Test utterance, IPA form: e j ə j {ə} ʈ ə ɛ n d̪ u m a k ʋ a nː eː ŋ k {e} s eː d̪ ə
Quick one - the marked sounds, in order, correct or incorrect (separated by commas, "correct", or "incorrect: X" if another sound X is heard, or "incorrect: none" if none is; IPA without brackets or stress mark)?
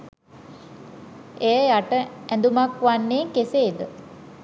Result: incorrect: a, correct